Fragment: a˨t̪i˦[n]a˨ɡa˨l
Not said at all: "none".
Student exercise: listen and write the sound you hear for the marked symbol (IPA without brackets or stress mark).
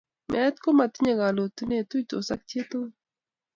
ɲ